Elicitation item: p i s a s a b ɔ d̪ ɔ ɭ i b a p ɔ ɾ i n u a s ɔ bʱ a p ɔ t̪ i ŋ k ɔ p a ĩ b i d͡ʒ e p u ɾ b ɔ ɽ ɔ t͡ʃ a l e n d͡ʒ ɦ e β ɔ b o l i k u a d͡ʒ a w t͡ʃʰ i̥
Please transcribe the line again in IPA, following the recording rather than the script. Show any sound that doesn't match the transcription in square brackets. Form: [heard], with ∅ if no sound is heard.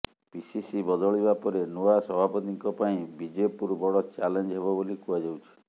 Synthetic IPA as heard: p i s [i] s [i] b ɔ d̪ ɔ ɭ i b a p ɔ ɾ [e] n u a s ɔ bʱ a p ɔ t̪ i ŋ k ɔ p a ĩ b i d͡ʒ e p u ɾ b ɔ ɽ ɔ t͡ʃ a l e n d͡ʒ ɦ e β ɔ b o l i k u a d͡ʒ a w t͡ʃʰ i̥